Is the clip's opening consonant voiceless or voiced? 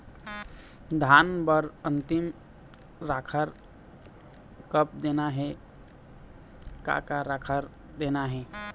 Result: voiced